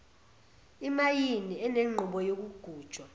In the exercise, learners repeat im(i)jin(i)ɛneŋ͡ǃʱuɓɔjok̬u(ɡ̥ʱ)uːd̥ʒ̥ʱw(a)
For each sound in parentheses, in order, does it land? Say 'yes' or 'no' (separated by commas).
no, yes, yes, yes